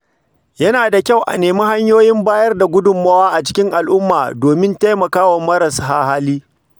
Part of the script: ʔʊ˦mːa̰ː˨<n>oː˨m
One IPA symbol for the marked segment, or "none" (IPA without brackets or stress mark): d